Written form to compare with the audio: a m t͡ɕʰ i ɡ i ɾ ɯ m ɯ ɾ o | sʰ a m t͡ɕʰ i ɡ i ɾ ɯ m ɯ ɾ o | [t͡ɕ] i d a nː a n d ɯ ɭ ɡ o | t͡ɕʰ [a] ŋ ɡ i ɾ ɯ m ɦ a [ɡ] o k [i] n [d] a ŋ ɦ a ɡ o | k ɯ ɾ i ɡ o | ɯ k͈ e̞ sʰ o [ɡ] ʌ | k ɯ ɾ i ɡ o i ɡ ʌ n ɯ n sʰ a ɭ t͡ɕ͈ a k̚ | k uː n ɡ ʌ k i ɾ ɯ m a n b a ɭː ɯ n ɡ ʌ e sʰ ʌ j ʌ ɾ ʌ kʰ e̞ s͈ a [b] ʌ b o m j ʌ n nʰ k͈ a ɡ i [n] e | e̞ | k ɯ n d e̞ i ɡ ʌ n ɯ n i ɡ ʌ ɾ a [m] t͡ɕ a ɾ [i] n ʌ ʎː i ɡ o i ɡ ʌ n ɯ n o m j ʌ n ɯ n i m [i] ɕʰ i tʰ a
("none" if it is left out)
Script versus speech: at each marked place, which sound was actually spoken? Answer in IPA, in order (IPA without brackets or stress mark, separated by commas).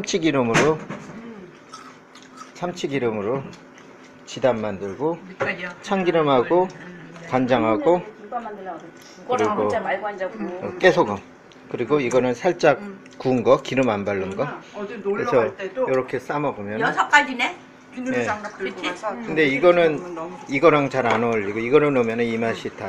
t͡ɕ, a, ɡ, a, d͡ʑ, ɡ, m, n, ŋ, a, a